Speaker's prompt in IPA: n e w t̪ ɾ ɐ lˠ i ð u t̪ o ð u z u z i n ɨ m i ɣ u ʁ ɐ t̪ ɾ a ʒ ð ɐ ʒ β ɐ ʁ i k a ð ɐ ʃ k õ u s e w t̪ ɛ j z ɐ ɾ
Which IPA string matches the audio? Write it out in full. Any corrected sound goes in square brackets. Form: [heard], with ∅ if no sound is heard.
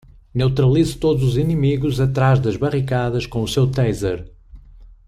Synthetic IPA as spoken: n e w t̪ ɾ ɐ lˠ i [z] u t̪ o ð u z u z i n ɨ m i ɣ u [z] ɐ t̪ ɾ a ʒ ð ɐ ʒ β ɐ ʁ i k a ð ɐ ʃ k õ u s e w t̪ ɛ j z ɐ ɾ